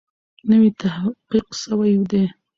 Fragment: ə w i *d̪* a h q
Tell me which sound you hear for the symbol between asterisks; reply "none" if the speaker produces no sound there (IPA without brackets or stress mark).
t̪